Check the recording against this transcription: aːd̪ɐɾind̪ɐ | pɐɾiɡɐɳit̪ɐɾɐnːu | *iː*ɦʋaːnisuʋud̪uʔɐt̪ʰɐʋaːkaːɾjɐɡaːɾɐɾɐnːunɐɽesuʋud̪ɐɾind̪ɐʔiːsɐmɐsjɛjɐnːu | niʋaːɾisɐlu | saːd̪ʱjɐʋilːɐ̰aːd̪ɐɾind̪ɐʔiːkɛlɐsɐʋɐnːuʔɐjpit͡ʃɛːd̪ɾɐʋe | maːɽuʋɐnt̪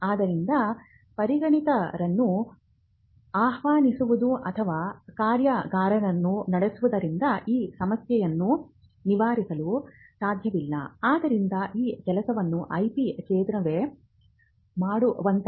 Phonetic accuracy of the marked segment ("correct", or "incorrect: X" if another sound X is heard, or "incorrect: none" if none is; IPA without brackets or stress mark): incorrect: aː